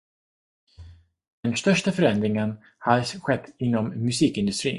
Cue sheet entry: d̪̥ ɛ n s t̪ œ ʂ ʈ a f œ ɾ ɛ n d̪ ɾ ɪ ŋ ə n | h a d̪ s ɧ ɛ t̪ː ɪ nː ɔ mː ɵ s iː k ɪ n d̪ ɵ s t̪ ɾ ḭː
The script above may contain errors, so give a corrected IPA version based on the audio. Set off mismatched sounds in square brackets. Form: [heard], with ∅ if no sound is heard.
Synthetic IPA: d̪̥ ɛ n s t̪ œ ʂ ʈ a f œ ɾ ɛ n d̪ ɾ ɪ ŋ ə n | h a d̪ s ɧ ɛ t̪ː ɪ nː ɔ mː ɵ s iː k ɪ n d̪ ɵ s t̪ ɾ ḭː